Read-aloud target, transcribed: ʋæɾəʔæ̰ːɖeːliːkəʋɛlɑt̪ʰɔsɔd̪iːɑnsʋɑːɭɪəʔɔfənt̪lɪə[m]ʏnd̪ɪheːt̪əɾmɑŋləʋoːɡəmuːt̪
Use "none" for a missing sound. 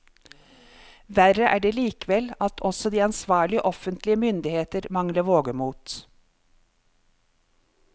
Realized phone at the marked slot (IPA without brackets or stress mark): m